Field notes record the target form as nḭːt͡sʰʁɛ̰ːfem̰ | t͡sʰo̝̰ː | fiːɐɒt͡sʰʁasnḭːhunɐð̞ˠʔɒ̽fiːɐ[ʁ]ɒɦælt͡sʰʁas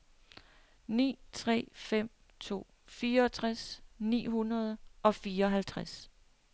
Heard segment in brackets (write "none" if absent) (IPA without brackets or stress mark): none